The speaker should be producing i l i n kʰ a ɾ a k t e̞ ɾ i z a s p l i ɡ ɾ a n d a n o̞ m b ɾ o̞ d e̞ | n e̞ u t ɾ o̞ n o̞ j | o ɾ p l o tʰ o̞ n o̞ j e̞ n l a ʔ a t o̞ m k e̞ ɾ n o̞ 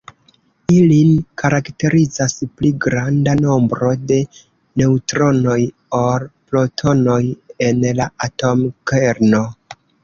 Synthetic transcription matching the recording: i l i n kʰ a ɾ a k t e̞ ɾ i z a s p l i ɡ ɾ a n d a n o̞ m b ɾ o̞ d e̞ | n e̞ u t ɾ o̞ n o̞ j | o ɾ p l o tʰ o̞ n o̞ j e̞ n l a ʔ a t o̞ m k e̞ ɾ n o̞